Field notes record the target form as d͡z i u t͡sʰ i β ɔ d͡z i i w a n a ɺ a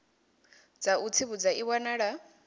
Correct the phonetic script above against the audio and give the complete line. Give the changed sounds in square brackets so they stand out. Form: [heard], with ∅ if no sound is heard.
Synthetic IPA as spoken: d͡z [a] u t͡sʰ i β [u] d͡z [a] i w a n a ɺ a